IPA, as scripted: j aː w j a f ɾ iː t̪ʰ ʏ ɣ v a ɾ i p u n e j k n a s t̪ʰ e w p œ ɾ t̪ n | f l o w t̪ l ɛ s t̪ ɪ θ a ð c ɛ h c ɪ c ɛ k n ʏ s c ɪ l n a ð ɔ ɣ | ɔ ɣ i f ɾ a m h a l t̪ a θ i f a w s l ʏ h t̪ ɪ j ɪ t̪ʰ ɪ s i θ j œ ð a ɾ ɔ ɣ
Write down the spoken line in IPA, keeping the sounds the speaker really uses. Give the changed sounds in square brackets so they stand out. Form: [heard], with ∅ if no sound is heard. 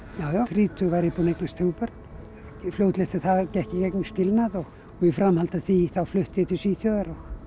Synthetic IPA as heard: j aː w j a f ɾ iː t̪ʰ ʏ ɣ v a ɾ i p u n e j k n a s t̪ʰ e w p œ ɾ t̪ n | f l o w t̪ l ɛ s t̪ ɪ θ a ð c ɛ h c ɪ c ɛ k n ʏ s c ɪ l n a ð ɔ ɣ | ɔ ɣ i f ɾ a m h a l t̪ a θ i [θ] a w [f] l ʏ h t̪ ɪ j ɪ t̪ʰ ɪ s i θ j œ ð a ɾ ɔ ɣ